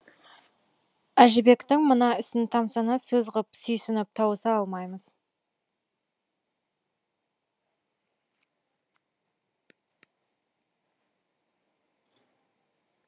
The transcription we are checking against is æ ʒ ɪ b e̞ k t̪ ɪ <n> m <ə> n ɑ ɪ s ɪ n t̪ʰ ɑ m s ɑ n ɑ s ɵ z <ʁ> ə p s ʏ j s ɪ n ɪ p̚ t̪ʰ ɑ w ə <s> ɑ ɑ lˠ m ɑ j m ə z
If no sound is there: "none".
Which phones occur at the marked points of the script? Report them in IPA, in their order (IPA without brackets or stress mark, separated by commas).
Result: ŋ, ə, ʁ, s